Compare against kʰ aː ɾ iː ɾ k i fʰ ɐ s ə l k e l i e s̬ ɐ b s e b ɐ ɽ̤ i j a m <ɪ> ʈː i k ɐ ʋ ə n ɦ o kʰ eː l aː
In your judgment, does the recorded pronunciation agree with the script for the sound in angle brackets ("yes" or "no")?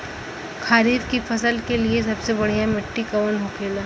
yes